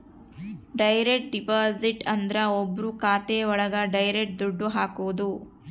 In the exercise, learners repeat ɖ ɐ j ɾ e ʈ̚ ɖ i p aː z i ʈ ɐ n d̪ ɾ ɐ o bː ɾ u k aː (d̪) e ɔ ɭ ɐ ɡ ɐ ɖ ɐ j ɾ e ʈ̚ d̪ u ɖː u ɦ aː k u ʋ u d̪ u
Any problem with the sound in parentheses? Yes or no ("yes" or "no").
yes